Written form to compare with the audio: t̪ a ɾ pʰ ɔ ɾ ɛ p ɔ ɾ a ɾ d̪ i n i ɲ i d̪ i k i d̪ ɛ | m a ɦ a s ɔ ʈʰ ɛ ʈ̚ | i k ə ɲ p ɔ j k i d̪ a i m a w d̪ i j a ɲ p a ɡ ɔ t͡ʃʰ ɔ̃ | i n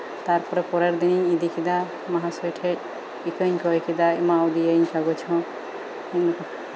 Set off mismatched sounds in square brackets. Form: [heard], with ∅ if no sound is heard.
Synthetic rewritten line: t̪ a ɾ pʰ ɔ ɾ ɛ p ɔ ɾ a ɾ d̪ i n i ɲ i d̪ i k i d̪ [a] | m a ɦ a s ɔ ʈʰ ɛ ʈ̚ | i k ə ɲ [k] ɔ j k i d̪ a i m a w d̪ i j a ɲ [k] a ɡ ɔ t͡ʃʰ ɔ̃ | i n